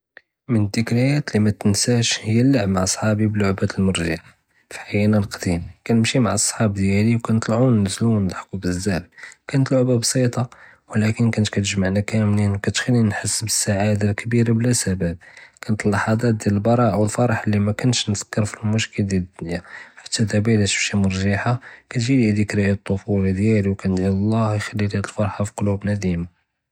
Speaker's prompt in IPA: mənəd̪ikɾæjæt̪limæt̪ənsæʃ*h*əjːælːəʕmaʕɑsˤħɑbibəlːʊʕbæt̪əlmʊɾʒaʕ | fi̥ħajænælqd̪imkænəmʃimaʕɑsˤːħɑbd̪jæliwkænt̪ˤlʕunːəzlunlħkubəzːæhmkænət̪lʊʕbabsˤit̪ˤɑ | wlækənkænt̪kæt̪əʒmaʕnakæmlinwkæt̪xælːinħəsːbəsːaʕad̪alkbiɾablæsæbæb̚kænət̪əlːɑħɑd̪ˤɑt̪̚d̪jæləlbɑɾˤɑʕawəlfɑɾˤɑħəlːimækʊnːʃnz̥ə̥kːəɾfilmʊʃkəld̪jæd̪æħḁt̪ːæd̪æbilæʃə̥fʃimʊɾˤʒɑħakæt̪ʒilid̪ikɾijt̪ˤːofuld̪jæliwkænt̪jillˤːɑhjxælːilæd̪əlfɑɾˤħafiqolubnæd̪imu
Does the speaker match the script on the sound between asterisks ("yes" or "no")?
yes